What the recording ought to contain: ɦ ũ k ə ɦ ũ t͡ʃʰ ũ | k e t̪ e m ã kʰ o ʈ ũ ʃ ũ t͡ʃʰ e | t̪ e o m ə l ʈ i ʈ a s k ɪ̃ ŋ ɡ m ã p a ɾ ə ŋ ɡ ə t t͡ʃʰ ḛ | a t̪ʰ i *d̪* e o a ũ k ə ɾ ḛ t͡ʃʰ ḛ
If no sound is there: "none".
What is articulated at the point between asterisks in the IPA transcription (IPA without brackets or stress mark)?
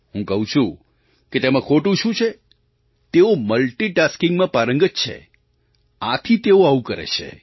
t̪